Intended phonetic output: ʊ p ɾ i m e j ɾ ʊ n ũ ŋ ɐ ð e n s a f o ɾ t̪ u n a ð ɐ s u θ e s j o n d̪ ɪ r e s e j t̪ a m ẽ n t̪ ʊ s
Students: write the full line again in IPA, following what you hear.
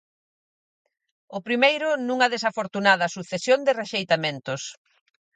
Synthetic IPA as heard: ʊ p ɾ i m e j ɾ ʊ n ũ ŋ ɐ ð e s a f o ɾ t̪ u n a ð ɐ s u θ e s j o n d̪ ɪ r e ʃ e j t̪ a m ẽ n t̪ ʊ s